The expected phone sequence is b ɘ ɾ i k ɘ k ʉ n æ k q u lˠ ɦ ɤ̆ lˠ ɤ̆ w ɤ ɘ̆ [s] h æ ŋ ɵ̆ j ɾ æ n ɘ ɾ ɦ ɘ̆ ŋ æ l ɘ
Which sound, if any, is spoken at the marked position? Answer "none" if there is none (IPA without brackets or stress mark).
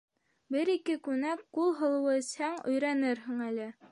s